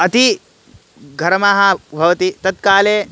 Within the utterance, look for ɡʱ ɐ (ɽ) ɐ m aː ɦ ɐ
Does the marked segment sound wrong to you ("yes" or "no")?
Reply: yes